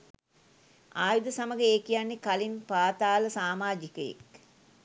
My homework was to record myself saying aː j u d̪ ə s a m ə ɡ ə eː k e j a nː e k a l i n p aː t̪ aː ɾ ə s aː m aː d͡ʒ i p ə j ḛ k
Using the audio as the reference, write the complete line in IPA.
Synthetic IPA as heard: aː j u d̪ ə s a m ə ɡ ə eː k i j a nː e k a l i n p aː t̪ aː l ə s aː m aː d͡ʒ i k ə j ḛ k